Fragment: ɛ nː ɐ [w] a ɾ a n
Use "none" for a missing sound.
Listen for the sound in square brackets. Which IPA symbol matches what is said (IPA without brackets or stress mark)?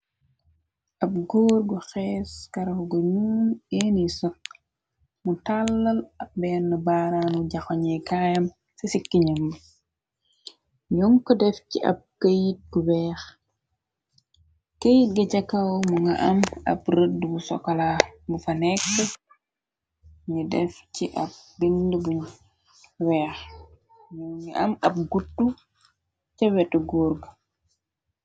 b